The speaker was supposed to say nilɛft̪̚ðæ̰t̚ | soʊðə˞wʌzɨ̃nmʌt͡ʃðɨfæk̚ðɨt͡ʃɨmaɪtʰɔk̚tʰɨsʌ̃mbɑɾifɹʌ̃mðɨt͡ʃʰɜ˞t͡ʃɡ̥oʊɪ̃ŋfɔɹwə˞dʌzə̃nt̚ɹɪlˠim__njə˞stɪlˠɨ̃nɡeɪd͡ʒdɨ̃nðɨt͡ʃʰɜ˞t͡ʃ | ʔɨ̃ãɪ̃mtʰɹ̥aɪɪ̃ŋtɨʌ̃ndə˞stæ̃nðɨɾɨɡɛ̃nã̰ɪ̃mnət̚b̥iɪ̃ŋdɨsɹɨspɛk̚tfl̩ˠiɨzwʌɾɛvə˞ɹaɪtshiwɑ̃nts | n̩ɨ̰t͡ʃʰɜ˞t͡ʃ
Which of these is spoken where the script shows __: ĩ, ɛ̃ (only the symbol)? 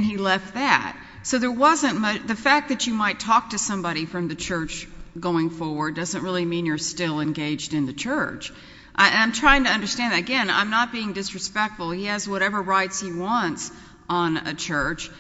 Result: ĩ